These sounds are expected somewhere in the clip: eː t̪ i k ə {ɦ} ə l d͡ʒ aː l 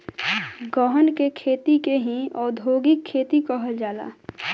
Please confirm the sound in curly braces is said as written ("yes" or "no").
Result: yes